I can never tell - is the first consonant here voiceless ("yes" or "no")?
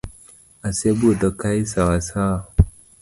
yes